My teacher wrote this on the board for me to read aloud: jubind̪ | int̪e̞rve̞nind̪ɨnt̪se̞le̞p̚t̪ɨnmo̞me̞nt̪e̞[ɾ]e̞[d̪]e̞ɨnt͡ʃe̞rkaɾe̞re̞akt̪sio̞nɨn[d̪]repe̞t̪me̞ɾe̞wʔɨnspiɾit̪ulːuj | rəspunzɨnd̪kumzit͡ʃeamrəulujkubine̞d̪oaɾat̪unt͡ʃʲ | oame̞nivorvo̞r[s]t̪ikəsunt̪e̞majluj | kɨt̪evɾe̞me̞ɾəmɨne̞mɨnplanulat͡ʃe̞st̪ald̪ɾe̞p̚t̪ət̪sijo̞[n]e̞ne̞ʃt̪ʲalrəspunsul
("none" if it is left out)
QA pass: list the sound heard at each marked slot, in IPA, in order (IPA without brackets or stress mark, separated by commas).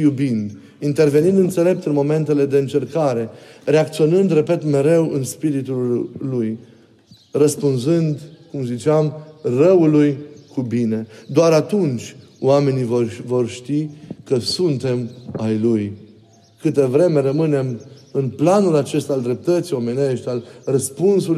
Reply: l, d̪, d̪, ʃ, m